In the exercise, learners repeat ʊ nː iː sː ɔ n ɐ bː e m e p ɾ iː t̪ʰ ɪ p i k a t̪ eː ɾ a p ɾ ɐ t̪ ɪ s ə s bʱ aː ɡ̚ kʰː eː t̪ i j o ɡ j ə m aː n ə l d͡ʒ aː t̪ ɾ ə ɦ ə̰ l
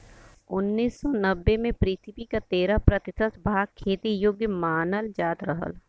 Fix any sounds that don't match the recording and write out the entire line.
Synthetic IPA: ʊ nː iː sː ɔ n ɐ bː e m ẽ p ɾ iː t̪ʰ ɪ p i k a t̪ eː ɾ a p ɾ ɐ t̪ ɪ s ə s bʱ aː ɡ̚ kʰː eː t̪ i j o ɡ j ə m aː n ə l d͡ʒ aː t̪ ɾ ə ɦ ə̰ l

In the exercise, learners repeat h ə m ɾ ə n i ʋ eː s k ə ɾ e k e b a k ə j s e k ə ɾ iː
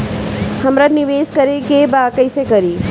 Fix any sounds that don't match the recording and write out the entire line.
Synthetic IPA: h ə m ɾ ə n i ʋ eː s k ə ɾ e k e b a k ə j s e k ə ɾ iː

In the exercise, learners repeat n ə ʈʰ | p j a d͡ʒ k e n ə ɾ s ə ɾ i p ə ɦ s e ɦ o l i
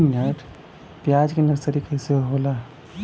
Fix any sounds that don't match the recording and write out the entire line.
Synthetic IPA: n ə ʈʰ | p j a d͡ʒ k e n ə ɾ s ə ɾ i k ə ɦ s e ɦ o l a

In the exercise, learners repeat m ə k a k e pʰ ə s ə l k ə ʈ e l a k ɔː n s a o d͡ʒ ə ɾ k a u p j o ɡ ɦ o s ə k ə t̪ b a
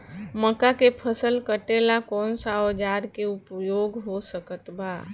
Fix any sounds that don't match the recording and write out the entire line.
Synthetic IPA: m ə k a k e pʰ ə s ə l k ə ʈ e l a k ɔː n s a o d͡ʒ a ɾ k e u p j o ɡ ɦ o s ə k ə t̪ b a

